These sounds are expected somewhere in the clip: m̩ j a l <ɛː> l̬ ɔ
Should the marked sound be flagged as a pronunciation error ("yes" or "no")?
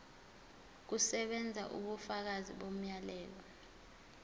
no